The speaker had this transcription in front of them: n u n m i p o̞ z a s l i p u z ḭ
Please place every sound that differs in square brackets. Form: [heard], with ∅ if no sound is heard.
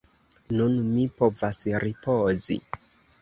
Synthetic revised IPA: n u n m i p o̞ [v] a s [ɾ] i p [o] z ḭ